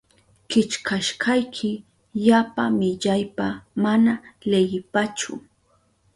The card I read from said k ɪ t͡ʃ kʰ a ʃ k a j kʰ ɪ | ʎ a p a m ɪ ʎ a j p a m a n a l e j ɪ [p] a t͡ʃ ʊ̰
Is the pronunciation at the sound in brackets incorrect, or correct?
correct